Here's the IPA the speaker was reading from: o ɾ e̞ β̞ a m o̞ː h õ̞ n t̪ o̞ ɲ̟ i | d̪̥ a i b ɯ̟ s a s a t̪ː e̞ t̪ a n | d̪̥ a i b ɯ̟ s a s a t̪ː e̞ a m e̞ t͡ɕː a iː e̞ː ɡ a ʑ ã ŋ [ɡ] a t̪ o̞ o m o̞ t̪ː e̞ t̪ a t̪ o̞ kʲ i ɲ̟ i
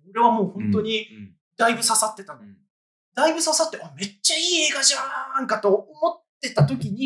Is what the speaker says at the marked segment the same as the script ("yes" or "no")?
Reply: no